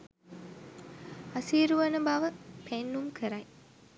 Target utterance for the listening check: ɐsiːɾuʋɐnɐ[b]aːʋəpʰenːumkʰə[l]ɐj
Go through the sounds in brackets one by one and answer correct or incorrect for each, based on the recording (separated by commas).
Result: correct, incorrect